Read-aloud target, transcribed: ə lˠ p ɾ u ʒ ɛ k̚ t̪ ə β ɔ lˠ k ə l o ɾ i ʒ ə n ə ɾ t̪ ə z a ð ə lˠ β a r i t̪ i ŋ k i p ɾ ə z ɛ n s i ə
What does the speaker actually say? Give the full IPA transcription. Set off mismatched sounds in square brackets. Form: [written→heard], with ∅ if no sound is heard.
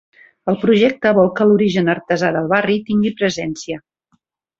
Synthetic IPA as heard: ə lˠ p ɾ u ʒ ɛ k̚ t̪ ə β ɔ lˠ k ə l [o→u] ɾ i ʒ ə n ə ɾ t̪ ə z a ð ə lˠ β a r i t̪ i ŋ [k→ɡ] i p ɾ ə z ɛ n s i ə